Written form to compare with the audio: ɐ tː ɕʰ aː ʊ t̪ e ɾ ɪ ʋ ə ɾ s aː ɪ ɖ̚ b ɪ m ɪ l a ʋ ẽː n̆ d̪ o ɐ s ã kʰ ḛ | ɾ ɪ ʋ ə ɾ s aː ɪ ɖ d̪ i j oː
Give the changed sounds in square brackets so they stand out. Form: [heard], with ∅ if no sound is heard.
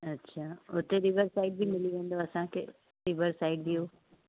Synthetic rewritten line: ɐ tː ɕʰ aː ʊ t̪ e ɾ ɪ ʋ ə ɾ s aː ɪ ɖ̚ b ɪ m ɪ l [i] ʋ ẽː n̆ d̪ o ɐ s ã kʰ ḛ | ɾ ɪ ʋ ə ɾ s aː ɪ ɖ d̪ i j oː